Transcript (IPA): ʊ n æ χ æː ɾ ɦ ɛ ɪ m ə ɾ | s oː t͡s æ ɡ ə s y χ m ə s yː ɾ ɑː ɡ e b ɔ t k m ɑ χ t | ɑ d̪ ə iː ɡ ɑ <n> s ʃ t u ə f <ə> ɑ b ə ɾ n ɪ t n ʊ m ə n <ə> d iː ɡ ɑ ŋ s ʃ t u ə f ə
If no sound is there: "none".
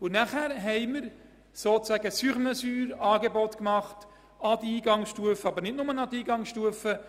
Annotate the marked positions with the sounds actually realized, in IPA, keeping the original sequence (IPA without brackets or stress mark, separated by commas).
ŋ, ə, ɑ